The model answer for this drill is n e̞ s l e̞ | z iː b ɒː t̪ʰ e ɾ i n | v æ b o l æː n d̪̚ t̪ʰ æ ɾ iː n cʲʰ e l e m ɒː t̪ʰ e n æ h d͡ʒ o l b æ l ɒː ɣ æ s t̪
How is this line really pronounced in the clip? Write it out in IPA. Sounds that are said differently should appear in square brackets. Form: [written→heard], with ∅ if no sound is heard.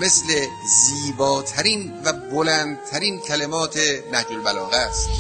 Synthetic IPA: [n→m] e̞ s l e̞ | z iː b ɒː t̪ʰ [e→æ] ɾ i n | v æ b o l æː n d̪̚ t̪ʰ æ ɾ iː n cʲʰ [e→æ] l e m ɒː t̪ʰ e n æ h d͡ʒ o l b æ l ɒː ɣ æ s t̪

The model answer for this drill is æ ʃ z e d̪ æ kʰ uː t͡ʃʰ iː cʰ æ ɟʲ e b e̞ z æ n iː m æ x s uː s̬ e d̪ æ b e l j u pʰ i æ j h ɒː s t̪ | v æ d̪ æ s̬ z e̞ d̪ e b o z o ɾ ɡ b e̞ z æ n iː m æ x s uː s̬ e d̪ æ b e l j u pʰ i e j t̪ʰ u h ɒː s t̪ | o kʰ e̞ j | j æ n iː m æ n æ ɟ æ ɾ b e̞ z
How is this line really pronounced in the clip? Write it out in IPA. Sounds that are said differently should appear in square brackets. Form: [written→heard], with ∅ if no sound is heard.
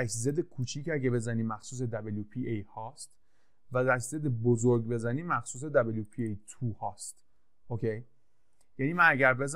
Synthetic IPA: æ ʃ z e d̪ [æ→e] kʰ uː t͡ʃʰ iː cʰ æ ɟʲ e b e̞ z æ n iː m æ x s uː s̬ e d̪ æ b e l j u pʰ i [æ→e] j h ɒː s t̪ | v æ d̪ æ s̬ z e̞ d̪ e b o z o ɾ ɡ b e̞ z æ n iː m æ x s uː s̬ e d̪ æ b e l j u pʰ i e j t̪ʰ u h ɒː s t̪ | o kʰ e̞ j | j æ n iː m æ n æ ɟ æ ɾ b e̞ z

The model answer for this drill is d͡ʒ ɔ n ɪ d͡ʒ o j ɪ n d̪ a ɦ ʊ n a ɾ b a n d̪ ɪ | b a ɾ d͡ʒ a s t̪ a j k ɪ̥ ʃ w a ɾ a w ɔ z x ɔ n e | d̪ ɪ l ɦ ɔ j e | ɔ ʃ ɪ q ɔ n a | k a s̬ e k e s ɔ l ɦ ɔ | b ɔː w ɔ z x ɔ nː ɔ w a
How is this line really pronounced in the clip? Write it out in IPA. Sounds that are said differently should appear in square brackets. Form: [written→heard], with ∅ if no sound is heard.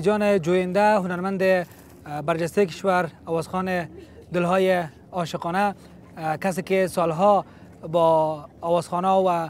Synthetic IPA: d͡ʒ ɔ n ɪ d͡ʒ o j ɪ n d̪ a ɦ ʊ n a ɾ [b→m] a n d̪ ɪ | b a ɾ d͡ʒ a s t̪ a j k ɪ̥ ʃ w a ɾ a w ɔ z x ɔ n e | d̪ ɪ l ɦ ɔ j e | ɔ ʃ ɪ q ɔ n a | k a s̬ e k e s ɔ l ɦ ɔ | b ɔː w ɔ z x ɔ [nː→n] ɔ w a

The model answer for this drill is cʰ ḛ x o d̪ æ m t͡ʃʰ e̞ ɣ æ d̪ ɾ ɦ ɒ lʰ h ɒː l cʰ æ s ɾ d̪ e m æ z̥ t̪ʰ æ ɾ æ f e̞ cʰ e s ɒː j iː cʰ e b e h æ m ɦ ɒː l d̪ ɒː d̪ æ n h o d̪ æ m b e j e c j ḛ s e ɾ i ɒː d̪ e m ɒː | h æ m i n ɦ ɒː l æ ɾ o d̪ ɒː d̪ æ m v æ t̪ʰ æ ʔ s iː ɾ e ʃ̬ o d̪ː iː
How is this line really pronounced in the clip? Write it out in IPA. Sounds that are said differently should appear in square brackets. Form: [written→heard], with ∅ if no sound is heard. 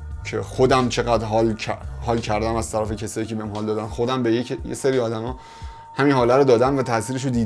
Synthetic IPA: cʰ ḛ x o d̪ æ m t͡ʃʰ e̞ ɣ æ d̪ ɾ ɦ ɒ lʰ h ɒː l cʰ æ [s→∅] ɾ d̪ [e→æ] m æ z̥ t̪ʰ æ ɾ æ f e̞ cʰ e s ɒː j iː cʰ e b e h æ m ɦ ɒː l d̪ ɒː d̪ æ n [h→x] o d̪ æ m b e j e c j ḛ s e ɾ i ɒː d̪ [e→æ] m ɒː | h æ m i n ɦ ɒː l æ ɾ o d̪ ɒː d̪ æ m v æ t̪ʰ æ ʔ s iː ɾ e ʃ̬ o [d̪ː→d̪] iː

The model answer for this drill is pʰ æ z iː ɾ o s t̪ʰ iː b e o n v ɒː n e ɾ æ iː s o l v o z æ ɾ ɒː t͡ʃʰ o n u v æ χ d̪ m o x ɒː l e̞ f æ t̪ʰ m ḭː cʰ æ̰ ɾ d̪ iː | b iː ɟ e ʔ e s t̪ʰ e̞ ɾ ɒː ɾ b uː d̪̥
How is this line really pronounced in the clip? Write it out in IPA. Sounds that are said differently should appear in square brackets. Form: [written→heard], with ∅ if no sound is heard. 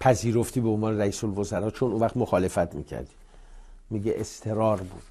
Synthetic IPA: pʰ æ z iː ɾ o [s→f] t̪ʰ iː b e o n v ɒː n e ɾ æ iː s o l v o z æ ɾ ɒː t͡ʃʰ o n u v æ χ [d̪→t̪] m o x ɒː l e̞ f æ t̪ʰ m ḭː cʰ æ̰ ɾ d̪ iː | [b→m] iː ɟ e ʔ e s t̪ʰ e̞ ɾ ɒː ɾ b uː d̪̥

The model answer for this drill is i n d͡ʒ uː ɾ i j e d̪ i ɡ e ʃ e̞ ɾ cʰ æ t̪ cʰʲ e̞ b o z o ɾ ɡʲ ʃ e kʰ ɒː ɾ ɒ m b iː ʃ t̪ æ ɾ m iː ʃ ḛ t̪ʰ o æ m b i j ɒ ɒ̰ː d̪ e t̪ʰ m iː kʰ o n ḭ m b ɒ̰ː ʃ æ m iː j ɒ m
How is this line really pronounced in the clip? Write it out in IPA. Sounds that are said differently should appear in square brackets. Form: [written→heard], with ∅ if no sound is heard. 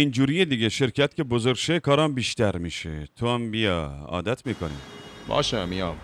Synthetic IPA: i n d͡ʒ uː ɾ i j e d̪ i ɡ e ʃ e̞ ɾ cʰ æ t̪ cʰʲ e̞ b o z o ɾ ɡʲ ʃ e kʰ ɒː ɾ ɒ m b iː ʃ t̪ æ ɾ m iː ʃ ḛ t̪ʰ o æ m b i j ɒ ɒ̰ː d̪ [e→æ] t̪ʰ m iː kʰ o n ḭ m b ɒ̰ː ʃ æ m [iː→i] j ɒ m

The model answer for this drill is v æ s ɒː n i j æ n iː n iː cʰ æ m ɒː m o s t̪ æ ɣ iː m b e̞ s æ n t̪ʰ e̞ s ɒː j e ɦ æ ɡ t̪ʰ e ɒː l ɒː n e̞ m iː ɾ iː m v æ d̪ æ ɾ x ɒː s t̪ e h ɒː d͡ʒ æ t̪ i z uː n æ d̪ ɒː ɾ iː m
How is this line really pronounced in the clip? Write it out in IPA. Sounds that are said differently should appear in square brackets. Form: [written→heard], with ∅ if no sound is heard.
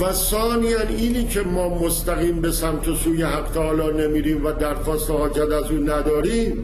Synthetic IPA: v æ s ɒː n i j æ n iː n iː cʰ [æ→e] m ɒː m o s t̪ æ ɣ iː m b e̞ s æ [n→m] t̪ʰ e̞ s [ɒː→uː] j e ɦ æ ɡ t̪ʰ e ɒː l ɒː n e̞ m iː ɾ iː m v æ d̪ æ ɾ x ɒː s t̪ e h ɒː d͡ʒ æ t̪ [i→æ] z uː n æ d̪ ɒː ɾ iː m

